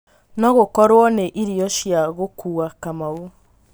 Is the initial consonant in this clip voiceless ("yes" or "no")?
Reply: no